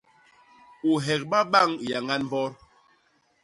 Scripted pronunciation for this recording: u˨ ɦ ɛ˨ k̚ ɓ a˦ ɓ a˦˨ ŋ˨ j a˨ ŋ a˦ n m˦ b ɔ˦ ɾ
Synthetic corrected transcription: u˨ ɦ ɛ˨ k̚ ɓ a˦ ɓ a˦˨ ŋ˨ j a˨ ŋ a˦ n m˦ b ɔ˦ ɾ